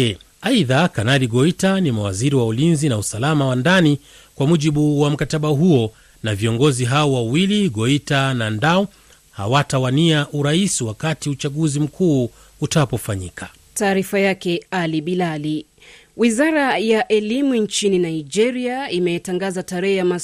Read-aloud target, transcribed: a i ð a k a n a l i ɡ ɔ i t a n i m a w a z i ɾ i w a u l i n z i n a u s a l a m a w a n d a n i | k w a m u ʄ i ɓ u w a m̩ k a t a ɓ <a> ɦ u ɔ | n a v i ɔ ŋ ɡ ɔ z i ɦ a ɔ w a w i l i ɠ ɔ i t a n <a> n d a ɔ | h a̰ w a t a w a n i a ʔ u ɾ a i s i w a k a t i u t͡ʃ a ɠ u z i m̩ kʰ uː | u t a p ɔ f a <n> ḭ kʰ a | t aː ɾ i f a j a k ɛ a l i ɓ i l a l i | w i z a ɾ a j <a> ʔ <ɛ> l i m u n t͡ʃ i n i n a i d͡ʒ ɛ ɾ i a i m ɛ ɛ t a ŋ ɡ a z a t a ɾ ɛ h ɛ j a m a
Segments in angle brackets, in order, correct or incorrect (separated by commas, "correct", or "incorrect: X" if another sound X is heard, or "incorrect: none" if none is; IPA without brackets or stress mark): correct, correct, incorrect: ɲ, correct, correct